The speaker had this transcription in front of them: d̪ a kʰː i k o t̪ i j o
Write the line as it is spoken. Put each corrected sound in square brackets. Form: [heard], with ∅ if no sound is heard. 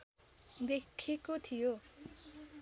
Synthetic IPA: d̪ [e] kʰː i k o [t̪ʰ] i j o